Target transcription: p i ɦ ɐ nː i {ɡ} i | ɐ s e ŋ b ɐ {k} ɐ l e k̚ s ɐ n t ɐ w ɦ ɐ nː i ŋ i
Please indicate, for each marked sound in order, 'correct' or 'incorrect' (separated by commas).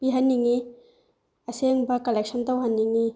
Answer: incorrect, correct